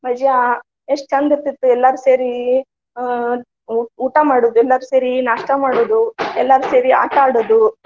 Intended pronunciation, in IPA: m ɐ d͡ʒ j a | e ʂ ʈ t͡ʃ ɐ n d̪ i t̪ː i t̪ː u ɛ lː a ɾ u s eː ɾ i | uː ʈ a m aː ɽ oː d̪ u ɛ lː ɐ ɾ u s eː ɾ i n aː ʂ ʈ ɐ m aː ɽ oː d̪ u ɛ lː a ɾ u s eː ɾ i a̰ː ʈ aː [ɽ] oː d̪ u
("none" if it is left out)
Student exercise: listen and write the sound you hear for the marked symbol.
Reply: ɽ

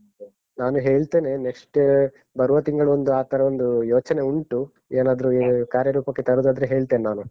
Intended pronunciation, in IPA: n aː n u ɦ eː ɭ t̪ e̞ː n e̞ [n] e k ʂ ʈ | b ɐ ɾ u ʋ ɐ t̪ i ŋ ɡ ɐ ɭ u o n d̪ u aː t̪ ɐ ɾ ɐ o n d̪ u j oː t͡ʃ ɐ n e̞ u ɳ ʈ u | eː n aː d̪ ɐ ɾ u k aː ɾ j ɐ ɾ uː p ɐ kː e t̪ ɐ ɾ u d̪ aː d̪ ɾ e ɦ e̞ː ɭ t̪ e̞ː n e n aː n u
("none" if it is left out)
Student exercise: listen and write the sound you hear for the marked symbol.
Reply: n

